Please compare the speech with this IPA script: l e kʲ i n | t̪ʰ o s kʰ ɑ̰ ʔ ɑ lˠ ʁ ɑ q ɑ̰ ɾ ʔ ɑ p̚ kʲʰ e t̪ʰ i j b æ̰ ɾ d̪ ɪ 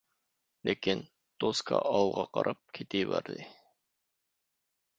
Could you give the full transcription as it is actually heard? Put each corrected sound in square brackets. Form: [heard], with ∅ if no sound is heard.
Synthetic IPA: l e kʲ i n | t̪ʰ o s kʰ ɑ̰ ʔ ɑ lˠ ʁ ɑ q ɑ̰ ɾ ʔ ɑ p̚ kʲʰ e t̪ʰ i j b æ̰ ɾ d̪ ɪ